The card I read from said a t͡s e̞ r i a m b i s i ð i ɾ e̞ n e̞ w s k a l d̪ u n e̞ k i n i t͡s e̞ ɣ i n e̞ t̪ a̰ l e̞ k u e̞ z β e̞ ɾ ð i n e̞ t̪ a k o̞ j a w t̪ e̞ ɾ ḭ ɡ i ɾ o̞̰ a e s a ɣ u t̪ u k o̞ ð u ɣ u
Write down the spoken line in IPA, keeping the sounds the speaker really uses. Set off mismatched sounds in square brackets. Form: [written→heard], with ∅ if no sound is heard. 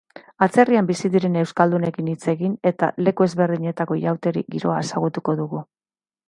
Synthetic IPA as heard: a t͡s e̞ r i a m b i s i ð i ɾ e̞ n e̞ w s k a l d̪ u n e̞ k i n i t͡s e̞ ɣ i n e̞ t̪ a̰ l e̞ k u e̞ z β e̞ ɾ ð i [n→ɲ] e̞ t̪ a k o̞ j a w t̪ e̞ ɾ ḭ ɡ i ɾ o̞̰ a e s a ɣ u t̪ u k o̞ ð u ɣ u